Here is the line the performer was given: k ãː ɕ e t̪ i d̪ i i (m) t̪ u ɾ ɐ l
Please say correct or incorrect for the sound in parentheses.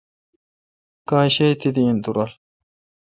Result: incorrect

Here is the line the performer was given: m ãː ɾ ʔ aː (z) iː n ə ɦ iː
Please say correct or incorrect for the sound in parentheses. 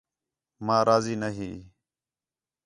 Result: correct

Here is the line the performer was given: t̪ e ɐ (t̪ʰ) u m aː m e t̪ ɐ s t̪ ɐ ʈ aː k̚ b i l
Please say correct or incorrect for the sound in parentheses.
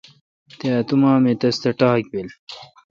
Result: incorrect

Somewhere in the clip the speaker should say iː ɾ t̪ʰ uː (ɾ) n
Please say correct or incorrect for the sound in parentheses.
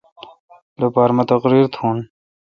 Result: incorrect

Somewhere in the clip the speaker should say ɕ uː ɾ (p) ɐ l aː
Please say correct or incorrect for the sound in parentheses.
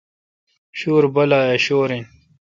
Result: incorrect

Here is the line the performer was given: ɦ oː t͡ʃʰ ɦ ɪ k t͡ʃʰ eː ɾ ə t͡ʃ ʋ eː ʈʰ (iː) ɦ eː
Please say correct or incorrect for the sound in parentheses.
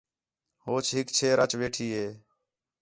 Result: correct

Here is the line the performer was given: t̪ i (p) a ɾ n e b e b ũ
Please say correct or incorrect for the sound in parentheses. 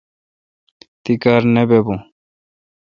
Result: incorrect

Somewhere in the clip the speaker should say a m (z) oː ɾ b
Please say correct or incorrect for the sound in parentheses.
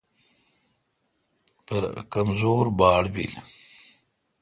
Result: correct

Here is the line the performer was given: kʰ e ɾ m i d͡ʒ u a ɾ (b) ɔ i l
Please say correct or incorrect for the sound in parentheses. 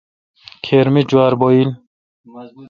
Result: correct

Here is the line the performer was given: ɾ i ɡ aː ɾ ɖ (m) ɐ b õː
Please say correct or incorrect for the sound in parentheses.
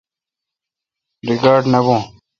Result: incorrect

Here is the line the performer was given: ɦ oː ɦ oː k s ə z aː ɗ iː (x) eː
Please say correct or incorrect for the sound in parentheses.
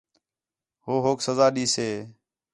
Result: incorrect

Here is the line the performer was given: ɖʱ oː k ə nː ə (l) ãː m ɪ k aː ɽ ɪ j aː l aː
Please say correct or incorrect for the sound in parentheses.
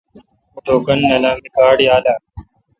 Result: correct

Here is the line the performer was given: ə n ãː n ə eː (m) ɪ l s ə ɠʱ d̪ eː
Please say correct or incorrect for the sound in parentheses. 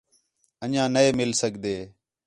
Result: correct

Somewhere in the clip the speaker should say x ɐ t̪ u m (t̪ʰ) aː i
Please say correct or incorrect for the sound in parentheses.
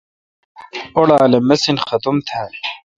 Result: correct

